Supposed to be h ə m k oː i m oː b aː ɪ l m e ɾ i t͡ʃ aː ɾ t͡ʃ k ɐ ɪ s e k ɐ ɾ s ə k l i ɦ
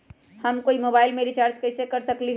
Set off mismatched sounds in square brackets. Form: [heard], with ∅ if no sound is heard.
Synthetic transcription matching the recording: h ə m k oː i m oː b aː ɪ l m e ɾ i t͡ʃ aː ɾ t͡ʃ k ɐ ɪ s e k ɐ ɾ s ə k l i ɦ